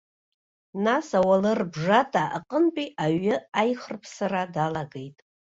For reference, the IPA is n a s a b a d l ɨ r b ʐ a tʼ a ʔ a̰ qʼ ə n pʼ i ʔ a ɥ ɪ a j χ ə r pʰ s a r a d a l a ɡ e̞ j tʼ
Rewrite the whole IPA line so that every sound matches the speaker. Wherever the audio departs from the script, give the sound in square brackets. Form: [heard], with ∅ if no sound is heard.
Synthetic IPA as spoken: n a s a [w] a [∅] l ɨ r b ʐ a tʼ a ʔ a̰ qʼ ə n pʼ i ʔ a ɥ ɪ a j χ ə r pʰ s a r a d a l a ɡ e̞ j tʼ